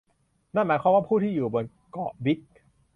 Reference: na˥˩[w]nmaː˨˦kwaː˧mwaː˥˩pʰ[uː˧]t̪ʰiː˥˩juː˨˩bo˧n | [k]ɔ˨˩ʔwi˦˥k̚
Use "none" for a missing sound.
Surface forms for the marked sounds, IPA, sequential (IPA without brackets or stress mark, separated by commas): none, uː˥˩, k